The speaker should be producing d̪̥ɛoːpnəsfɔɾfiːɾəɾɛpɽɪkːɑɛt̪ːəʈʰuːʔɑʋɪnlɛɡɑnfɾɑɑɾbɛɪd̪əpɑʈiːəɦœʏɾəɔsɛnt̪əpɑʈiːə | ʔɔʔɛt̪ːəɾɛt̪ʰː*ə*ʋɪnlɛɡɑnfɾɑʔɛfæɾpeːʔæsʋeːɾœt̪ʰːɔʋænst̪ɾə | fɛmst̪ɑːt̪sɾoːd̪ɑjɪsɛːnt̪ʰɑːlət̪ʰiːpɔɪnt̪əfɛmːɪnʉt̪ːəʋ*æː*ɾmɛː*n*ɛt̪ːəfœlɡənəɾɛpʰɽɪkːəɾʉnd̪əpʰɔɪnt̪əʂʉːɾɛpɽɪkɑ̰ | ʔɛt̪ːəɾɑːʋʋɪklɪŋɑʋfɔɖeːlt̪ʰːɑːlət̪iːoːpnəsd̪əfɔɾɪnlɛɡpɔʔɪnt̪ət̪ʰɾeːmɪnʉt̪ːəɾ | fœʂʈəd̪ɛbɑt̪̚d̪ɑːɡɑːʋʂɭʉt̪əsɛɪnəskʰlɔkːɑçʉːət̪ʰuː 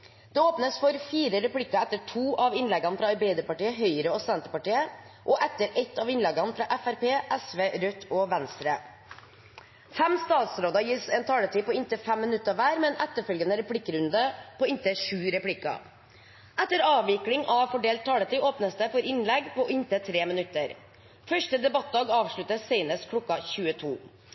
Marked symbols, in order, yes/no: no, yes, yes

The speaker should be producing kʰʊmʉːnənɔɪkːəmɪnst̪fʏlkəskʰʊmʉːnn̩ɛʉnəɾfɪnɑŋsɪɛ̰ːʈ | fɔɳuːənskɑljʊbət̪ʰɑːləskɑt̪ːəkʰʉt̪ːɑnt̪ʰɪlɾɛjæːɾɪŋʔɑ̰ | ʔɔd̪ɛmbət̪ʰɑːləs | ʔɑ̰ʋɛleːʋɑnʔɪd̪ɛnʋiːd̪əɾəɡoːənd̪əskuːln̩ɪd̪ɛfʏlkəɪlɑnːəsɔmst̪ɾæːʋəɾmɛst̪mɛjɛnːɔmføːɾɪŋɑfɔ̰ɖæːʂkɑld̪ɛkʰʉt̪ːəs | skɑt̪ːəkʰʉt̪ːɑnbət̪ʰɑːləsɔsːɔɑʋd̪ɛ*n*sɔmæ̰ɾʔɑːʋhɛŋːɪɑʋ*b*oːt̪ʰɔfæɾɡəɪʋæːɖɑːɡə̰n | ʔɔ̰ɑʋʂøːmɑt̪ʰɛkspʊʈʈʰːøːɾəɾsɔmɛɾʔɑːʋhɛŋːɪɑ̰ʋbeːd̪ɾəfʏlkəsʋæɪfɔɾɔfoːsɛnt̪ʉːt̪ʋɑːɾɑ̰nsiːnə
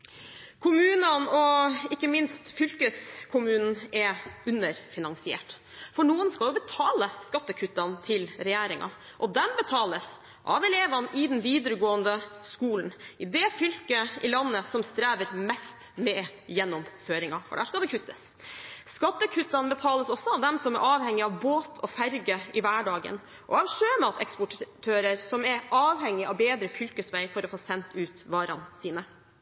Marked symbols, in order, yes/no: no, yes

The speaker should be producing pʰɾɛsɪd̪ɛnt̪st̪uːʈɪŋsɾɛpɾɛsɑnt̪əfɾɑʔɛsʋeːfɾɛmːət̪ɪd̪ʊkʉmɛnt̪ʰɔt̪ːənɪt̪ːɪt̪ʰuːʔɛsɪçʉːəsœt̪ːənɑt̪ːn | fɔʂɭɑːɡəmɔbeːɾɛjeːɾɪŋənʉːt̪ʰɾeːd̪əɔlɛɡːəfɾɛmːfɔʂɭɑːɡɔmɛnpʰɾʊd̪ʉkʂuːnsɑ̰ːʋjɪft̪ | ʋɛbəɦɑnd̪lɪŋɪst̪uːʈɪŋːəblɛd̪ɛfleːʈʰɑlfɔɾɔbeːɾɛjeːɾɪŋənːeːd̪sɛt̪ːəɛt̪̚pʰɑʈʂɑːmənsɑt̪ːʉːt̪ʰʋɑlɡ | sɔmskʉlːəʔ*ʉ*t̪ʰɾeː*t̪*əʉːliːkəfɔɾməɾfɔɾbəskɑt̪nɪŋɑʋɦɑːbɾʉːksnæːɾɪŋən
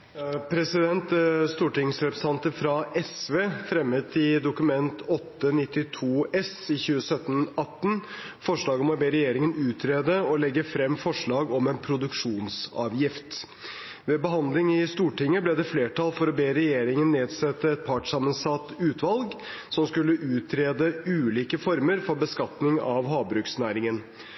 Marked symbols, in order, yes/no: no, no

